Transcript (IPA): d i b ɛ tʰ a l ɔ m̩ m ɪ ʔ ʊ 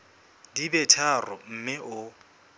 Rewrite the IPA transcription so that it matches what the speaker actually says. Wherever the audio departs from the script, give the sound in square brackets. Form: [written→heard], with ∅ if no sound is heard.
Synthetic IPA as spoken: d i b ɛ tʰ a [l→r] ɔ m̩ m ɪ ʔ ʊ